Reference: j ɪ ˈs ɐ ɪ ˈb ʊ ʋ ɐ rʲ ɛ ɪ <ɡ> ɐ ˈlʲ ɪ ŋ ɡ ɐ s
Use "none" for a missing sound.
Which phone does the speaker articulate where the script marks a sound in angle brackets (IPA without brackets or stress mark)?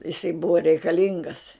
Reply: k